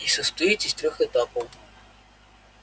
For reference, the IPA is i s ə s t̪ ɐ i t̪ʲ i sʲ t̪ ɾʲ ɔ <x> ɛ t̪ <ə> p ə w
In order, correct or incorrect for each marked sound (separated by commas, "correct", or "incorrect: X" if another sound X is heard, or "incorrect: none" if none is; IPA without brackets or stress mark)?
correct, incorrect: a